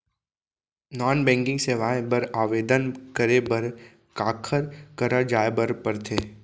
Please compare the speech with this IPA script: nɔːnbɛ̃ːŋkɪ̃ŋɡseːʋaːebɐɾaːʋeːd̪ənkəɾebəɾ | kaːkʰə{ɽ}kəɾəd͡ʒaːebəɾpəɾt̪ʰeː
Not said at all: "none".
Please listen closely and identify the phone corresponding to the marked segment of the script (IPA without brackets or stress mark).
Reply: ɾ